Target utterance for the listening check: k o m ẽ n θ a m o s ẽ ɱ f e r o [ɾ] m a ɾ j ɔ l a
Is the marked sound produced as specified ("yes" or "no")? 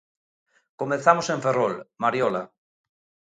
no